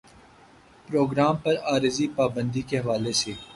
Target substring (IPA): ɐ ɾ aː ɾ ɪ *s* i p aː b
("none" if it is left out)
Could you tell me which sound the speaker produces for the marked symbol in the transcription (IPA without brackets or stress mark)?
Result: z